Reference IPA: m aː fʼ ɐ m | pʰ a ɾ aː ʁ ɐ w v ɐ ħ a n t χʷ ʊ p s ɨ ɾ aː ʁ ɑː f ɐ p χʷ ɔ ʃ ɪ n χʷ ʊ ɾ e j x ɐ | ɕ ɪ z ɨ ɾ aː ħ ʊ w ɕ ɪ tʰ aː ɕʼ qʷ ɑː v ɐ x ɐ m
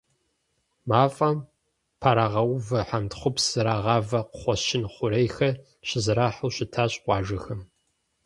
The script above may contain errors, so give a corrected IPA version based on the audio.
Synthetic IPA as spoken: m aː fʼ ɐ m | pʰ a ɾ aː ʁ ɐ w v ɐ ħ a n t χʷ ʊ p s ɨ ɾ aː ʁ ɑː v ɐ q χʷ ɔ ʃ ɪ n χʷ ʊ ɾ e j x ɐ | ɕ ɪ z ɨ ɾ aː ħ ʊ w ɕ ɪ tʰ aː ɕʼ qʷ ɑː ʒ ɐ x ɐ m